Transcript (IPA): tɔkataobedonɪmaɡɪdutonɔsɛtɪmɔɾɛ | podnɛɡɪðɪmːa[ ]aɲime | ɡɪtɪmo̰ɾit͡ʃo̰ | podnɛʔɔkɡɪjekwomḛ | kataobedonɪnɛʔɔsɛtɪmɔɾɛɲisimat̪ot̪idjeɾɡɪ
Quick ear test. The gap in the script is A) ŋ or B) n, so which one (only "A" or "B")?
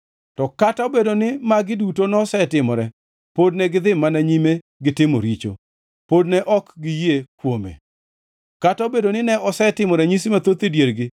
B